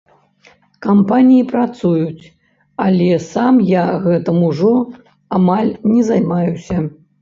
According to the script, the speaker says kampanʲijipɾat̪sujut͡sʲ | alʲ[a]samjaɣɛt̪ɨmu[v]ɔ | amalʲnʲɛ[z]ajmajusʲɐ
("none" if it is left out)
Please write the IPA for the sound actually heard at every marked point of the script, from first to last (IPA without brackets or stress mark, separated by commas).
ɛ, ʐ, z